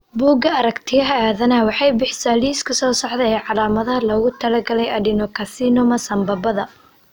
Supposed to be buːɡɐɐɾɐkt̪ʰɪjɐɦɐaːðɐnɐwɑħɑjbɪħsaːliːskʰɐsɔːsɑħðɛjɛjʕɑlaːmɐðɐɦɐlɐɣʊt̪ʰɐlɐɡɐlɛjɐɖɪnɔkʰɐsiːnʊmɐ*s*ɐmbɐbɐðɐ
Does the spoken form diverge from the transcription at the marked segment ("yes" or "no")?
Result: no